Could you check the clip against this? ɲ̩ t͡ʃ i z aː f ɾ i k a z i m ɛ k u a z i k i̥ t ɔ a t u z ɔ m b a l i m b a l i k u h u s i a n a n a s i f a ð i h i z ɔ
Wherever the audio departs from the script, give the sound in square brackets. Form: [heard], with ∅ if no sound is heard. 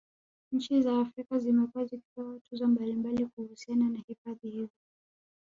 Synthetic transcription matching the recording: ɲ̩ t͡ʃ i z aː f ɾ i k a z i m ɛ k u a z i k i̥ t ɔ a t u z ɔ m b a l i m b a l i k u h u s i a n a n a [h] i f a ð i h i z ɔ